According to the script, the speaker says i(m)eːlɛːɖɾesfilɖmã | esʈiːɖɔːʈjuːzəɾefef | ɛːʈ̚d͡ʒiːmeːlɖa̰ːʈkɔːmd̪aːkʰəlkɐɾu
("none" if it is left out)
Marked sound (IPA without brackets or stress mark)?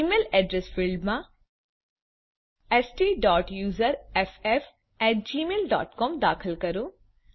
m